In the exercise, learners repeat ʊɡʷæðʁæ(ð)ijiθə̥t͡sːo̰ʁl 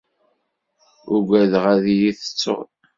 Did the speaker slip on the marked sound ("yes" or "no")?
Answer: no